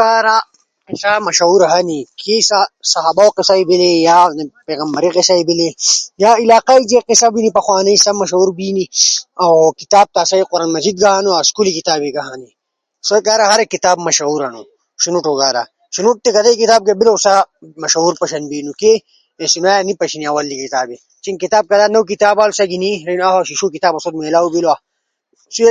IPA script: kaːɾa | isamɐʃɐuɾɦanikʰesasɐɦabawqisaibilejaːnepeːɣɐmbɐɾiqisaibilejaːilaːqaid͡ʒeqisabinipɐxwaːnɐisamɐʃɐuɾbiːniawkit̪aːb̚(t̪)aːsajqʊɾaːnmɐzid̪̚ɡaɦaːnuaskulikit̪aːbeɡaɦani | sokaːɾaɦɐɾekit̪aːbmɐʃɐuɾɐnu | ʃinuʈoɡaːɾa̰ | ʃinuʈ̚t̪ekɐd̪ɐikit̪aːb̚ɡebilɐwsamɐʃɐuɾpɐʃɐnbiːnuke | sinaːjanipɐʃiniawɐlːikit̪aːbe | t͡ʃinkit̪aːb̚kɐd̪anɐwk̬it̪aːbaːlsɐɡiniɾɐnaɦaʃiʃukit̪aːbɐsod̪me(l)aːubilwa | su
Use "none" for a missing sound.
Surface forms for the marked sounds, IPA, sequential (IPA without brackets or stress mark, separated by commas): t̪, l